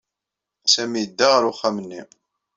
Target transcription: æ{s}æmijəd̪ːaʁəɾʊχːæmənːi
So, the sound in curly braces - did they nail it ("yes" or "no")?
yes